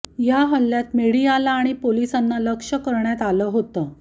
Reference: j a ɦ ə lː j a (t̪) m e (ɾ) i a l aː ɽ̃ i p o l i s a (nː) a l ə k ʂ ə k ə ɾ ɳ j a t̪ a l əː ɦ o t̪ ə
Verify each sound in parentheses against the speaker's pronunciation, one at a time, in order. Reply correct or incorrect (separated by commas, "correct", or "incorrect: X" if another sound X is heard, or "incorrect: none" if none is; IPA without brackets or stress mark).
correct, incorrect: ɽ, correct